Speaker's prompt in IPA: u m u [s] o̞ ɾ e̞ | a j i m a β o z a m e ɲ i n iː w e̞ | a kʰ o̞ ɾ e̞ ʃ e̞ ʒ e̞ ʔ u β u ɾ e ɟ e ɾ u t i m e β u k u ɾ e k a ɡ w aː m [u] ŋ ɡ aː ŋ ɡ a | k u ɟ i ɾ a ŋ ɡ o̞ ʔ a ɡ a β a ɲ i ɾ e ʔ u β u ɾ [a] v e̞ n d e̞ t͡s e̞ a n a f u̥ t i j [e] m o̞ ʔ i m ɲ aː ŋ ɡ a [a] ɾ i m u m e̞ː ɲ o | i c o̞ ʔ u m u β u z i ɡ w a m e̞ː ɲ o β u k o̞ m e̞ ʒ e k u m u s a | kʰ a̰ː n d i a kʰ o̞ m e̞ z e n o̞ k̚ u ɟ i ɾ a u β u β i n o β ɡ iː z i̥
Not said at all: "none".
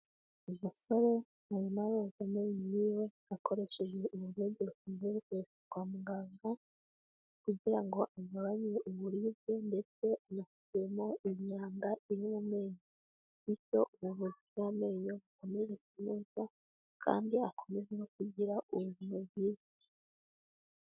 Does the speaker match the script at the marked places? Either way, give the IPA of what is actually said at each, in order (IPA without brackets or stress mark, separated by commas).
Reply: s, u, i, e, i